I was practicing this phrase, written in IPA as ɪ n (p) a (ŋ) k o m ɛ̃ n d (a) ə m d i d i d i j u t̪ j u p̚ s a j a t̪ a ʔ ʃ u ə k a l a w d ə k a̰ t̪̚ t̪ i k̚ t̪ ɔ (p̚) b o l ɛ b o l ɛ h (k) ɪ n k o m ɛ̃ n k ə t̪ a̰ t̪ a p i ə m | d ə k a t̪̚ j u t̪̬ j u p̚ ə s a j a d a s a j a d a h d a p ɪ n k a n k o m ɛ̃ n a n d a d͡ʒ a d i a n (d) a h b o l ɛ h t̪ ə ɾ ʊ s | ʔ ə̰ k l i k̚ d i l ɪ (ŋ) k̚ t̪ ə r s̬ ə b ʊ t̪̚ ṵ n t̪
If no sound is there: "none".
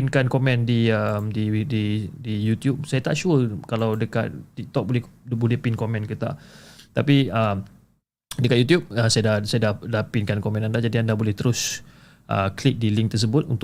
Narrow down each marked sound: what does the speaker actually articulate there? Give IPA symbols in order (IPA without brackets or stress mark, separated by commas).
k, n, i, k̚, p, d, ŋ